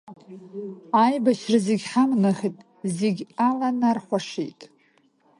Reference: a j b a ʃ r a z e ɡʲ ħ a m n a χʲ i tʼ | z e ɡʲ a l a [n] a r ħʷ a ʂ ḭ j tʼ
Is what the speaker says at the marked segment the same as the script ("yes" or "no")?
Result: yes